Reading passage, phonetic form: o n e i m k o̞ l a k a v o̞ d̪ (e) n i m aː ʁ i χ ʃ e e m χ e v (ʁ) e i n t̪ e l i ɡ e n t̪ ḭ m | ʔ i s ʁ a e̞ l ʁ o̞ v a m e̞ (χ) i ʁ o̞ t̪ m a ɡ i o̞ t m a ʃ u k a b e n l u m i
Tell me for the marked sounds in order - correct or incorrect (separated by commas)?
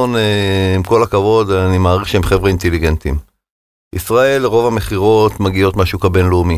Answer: incorrect, correct, correct